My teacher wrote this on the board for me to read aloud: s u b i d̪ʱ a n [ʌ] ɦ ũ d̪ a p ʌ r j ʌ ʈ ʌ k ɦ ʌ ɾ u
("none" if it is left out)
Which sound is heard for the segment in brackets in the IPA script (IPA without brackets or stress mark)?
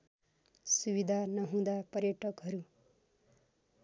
ʌ